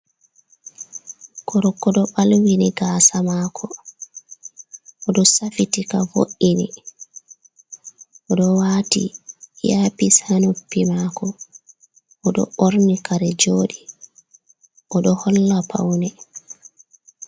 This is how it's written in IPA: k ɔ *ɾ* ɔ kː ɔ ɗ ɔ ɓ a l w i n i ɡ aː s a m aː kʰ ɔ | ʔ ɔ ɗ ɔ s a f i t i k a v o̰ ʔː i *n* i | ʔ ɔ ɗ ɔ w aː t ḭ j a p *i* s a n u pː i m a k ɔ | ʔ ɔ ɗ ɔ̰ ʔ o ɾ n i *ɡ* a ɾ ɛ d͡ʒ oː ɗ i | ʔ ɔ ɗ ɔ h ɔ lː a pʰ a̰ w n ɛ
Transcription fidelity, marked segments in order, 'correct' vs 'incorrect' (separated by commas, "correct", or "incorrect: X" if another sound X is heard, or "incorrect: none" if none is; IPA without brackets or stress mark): correct, correct, correct, incorrect: k